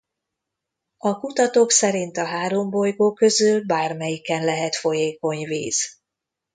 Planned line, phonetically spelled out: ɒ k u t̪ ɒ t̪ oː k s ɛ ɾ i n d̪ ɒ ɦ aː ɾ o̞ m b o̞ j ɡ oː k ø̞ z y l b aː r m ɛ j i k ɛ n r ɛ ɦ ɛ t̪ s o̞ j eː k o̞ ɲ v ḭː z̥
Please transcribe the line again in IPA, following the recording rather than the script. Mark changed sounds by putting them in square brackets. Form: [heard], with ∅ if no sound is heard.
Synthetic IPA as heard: ɒ k u t̪ ɒ t̪ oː k s ɛ ɾ i n [t̪] ɒ ɦ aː ɾ o̞ m b o̞ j ɡ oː k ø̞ z y l b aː r m ɛ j i k ɛ n [l] ɛ ɦ ɛ t̪ [f] o̞ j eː k o̞ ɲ v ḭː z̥